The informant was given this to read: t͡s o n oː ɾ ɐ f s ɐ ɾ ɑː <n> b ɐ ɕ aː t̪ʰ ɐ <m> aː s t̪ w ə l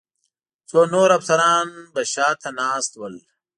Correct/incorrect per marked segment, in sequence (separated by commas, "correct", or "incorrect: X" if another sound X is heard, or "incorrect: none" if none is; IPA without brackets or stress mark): correct, incorrect: n